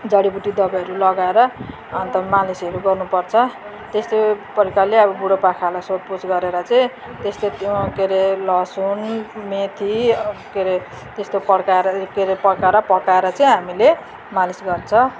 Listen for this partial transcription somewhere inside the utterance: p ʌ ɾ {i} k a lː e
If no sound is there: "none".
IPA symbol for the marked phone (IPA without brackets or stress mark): i